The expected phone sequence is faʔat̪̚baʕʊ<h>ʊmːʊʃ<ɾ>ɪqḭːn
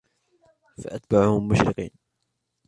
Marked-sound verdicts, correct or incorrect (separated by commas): correct, correct